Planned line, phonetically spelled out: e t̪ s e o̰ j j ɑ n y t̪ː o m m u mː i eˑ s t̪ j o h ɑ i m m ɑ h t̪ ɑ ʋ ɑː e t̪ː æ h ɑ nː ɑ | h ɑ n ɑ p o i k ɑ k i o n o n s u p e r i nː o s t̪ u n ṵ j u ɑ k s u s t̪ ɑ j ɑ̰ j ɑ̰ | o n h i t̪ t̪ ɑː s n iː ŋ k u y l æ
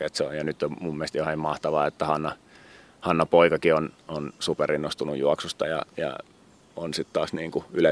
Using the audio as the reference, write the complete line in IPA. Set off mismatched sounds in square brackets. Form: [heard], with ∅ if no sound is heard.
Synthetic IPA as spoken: e t̪ s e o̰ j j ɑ n y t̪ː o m m u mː i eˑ s t̪ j o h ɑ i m m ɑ h t̪ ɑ ʋ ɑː e t̪ː æ h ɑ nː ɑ | h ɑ [nː] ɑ p o i k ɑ k i o n o n s u p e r i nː o s t̪ u n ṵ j u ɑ k s u s t̪ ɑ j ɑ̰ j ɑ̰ | o n [s] i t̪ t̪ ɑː s n iː ŋ k u y l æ